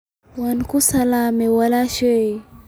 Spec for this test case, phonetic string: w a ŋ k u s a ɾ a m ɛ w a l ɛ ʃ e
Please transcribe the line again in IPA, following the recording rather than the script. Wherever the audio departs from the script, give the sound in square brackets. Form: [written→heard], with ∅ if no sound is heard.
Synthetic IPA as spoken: w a [ŋ→n] k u s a [ɾ→l] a m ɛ w a l [ɛ→a] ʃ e